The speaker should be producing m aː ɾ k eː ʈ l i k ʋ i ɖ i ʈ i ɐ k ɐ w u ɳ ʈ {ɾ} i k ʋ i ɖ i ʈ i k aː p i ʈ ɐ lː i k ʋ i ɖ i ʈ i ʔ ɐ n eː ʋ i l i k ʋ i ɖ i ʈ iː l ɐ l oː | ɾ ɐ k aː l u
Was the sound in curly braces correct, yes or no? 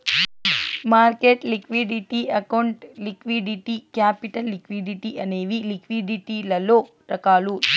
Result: no